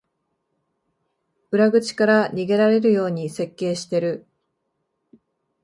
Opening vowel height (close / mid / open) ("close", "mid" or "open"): close